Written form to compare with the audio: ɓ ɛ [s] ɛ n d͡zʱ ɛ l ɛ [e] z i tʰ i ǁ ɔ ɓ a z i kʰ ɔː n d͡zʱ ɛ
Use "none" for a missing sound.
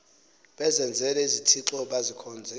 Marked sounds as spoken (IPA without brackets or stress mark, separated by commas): z, i